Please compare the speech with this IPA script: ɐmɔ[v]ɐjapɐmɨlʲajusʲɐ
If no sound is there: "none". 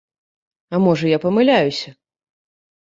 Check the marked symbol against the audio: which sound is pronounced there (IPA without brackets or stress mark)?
ʐ